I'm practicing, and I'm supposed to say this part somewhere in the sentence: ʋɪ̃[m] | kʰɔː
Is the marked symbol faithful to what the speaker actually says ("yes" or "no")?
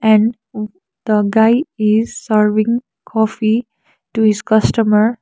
no